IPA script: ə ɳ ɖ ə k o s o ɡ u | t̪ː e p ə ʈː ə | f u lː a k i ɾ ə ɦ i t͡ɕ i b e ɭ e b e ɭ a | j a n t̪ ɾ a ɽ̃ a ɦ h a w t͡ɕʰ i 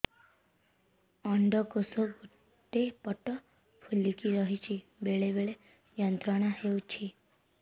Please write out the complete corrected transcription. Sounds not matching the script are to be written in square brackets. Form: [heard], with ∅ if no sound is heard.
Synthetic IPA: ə ɳ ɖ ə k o s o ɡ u | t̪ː e p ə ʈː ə | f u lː [i] k i ɾ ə ɦ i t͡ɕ i b e ɭ e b e ɭ [e] | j [ə] n t̪ ɾ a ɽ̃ a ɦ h [e] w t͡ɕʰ i